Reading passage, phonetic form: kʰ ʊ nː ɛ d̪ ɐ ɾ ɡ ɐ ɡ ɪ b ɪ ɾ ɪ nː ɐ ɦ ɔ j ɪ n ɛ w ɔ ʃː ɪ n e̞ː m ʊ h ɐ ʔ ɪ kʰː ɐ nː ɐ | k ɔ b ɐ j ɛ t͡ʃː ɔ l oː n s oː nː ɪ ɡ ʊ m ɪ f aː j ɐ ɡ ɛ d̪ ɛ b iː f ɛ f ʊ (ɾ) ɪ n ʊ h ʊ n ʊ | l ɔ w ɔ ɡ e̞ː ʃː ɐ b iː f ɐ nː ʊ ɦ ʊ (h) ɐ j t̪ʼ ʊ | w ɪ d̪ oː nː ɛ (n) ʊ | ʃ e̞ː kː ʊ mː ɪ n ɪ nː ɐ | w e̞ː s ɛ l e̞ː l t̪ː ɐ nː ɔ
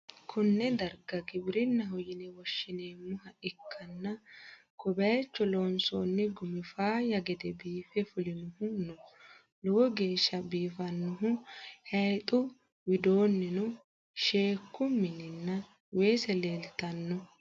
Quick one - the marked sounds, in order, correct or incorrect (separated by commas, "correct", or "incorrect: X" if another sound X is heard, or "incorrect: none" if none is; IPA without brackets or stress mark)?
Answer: incorrect: l, correct, correct